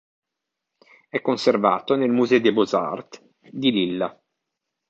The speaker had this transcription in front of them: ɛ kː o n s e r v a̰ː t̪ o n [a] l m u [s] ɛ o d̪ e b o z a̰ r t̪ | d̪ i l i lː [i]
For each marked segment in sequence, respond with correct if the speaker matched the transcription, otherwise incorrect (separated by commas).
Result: incorrect, incorrect, incorrect